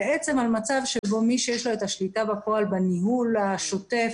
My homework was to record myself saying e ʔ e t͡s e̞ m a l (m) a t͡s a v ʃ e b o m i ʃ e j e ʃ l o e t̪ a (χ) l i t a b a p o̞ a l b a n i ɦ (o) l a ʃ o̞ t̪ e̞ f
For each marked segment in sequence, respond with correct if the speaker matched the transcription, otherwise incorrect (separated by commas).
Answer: correct, incorrect, incorrect